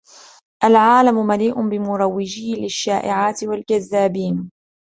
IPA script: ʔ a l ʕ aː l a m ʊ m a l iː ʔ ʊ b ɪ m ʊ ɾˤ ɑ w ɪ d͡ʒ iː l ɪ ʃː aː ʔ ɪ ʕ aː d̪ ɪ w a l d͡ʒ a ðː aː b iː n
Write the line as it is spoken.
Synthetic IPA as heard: ʔ a l ʕ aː l a m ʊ m a l iː ʔ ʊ b ɪ m ʊ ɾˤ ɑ wː ɪ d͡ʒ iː l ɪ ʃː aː ʔ ɪ ʕ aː t̪ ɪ w a l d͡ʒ a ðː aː b iː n